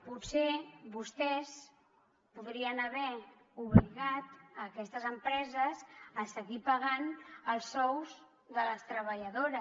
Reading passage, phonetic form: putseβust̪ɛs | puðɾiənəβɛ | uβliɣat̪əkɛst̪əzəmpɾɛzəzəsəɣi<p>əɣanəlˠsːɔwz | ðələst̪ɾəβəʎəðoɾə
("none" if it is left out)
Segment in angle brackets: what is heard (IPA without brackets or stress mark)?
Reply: p